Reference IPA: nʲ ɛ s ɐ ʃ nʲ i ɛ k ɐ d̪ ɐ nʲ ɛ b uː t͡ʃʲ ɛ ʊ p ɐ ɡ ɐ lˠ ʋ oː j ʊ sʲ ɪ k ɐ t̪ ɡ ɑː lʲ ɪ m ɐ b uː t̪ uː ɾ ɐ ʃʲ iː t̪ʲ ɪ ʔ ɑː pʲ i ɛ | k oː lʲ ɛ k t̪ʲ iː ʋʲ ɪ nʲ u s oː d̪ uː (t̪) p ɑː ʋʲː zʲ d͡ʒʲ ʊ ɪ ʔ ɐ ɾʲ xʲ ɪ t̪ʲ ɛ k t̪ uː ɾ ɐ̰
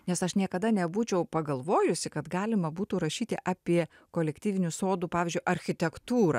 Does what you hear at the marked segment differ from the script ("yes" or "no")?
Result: yes